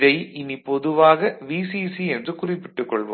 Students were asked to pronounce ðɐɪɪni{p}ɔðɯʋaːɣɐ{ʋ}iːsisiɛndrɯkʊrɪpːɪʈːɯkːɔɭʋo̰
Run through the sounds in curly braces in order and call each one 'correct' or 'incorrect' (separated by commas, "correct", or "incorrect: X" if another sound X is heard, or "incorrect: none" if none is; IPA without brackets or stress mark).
correct, correct